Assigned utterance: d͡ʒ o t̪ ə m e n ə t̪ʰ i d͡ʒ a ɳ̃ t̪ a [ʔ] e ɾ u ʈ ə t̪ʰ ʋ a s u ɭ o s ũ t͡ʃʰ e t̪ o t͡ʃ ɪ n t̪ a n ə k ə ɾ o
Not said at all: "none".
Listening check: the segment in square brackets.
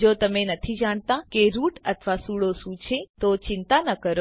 k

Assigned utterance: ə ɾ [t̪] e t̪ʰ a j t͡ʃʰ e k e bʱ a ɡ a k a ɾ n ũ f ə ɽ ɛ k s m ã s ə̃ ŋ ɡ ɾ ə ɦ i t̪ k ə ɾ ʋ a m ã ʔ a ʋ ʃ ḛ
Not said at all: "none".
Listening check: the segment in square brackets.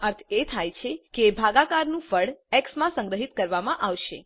t̪ʰ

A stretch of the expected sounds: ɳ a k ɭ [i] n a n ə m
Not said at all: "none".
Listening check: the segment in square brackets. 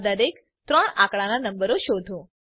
a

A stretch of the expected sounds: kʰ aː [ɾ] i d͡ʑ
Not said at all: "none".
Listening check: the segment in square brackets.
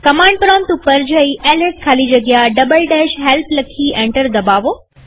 l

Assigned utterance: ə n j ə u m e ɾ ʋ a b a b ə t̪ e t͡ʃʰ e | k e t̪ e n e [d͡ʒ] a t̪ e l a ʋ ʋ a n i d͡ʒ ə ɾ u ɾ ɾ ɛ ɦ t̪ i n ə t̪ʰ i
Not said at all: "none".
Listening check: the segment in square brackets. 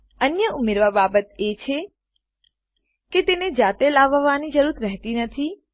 d͡ʒ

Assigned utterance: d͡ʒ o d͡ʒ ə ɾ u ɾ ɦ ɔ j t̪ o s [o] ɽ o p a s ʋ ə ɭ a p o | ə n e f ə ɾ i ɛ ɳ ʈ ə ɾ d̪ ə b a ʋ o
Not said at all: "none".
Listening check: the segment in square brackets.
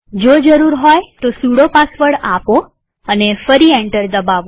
u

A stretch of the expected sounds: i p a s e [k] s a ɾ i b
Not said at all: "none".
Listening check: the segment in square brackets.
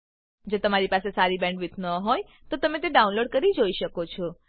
none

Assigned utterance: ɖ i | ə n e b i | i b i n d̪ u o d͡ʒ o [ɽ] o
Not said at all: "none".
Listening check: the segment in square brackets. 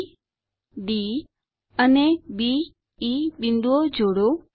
ɽ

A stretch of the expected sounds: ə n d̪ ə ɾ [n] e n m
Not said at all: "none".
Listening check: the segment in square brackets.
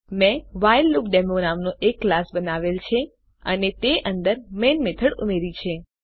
m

